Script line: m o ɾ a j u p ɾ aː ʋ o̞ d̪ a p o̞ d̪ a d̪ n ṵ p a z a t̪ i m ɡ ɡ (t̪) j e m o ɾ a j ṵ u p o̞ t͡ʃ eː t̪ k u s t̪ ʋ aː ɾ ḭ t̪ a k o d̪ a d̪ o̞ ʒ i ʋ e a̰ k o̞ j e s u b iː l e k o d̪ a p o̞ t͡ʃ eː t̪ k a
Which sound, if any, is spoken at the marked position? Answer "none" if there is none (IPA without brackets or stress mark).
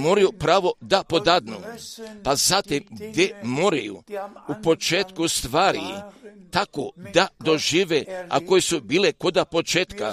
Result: d̪